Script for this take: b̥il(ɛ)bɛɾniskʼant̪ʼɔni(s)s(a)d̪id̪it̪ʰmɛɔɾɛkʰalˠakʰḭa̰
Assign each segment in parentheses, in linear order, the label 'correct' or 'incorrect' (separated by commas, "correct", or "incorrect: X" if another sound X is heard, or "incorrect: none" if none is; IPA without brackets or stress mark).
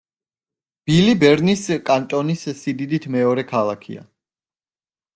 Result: incorrect: i, correct, incorrect: i